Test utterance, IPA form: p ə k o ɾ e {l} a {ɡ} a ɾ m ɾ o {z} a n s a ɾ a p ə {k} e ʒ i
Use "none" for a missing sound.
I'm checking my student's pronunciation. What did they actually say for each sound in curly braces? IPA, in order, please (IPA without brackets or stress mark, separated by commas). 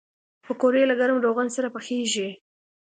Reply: l, ɡ, ɣ, x